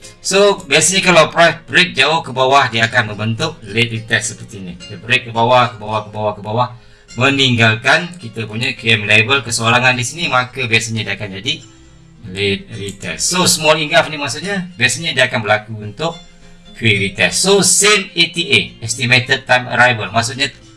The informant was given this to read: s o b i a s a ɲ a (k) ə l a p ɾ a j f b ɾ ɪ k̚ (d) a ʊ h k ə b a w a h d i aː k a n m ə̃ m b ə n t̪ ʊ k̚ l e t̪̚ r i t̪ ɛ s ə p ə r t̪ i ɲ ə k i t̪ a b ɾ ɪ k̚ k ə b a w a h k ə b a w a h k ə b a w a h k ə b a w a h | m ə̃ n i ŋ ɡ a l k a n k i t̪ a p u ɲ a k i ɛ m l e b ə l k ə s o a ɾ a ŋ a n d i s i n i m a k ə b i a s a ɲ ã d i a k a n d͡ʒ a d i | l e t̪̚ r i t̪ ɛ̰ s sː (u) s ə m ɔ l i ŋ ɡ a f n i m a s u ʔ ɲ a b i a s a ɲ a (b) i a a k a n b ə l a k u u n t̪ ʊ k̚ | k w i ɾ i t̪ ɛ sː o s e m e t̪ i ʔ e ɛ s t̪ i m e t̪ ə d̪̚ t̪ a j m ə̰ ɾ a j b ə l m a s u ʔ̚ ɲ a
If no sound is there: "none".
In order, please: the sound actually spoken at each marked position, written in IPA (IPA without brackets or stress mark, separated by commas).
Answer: k, d͡ʒ, o, d